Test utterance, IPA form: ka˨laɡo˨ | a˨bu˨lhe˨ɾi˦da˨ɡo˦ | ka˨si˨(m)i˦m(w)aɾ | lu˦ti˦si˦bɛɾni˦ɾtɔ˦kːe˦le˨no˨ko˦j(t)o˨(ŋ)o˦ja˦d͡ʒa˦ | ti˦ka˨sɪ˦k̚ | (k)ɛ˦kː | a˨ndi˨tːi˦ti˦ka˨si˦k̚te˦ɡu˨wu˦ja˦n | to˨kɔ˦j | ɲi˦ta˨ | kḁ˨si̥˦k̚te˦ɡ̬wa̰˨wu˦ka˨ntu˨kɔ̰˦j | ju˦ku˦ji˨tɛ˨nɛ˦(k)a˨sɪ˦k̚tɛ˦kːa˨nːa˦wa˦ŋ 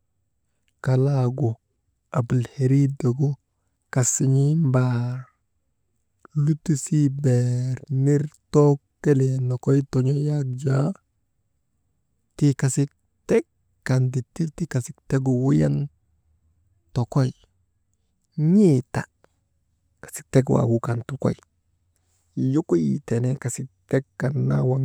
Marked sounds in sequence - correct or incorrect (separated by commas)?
incorrect, incorrect, correct, incorrect, incorrect, correct